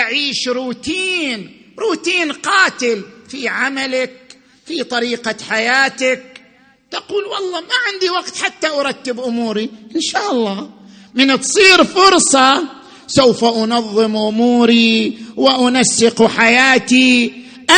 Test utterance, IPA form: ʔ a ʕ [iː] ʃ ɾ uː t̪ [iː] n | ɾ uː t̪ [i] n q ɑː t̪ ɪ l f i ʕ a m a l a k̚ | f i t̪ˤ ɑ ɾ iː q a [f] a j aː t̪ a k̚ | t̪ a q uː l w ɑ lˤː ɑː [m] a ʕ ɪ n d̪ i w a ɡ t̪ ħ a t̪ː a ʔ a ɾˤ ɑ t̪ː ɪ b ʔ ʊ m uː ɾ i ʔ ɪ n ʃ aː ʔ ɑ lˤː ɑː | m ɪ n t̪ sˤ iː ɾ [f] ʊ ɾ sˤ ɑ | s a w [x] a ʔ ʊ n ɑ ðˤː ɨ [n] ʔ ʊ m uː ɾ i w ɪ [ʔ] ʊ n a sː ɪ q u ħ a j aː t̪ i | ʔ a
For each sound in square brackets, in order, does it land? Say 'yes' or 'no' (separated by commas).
yes, yes, no, no, yes, yes, no, no, yes